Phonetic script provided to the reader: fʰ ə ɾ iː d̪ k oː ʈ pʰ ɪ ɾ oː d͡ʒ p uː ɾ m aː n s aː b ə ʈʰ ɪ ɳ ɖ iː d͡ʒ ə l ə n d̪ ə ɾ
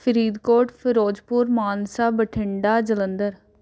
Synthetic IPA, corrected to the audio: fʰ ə ɾ iː d̪ k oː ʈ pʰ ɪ ɾ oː d͡ʒ p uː ɾ m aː n s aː b ə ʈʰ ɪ ɳ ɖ aː d͡ʒ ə l ə n d̪ ə ɾ